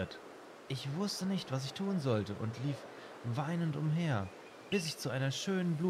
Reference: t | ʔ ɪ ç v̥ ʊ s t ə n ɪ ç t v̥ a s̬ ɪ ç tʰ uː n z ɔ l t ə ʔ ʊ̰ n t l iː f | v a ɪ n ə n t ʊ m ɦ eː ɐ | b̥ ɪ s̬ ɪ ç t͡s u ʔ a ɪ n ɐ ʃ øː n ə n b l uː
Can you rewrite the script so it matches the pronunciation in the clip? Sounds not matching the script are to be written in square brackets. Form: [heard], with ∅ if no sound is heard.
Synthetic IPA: t | ʔ ɪ ç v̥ ʊ s t ə n ɪ ç t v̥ a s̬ ɪ ç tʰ uː n z ɔ l t ə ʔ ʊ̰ n t l iː f | v a ɪ n ə n t ʊ m ɦ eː ɐ | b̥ ɪ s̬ ɪ ç t͡s u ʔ a ɪ n ɐ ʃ øː n ə n b l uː